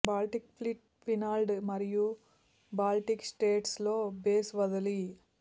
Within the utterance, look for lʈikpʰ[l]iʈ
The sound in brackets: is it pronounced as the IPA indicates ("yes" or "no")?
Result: yes